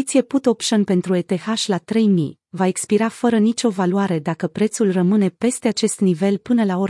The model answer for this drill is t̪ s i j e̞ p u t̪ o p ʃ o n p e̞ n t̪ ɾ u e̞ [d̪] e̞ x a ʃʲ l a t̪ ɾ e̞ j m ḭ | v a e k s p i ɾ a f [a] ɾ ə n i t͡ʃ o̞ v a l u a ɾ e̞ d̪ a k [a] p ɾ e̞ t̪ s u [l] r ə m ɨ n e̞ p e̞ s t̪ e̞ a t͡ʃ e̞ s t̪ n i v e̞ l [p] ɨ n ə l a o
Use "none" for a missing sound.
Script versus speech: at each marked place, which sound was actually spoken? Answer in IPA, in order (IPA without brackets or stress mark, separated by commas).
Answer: t̪, ə, ə, l, p